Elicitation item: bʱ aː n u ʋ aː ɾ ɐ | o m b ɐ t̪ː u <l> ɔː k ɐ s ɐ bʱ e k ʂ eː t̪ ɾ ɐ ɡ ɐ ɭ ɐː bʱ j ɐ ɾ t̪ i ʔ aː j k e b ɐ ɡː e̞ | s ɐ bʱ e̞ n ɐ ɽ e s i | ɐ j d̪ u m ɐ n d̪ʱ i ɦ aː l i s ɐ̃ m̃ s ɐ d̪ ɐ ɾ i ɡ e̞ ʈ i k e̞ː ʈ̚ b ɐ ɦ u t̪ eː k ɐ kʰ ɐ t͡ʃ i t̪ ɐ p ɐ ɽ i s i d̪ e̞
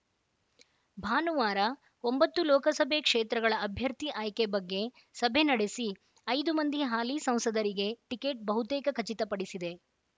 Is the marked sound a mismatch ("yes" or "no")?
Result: no